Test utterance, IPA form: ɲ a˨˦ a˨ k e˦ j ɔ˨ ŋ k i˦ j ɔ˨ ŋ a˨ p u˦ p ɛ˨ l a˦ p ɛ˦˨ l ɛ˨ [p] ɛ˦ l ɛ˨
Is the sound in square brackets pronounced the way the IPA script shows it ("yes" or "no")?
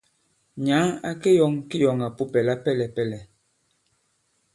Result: yes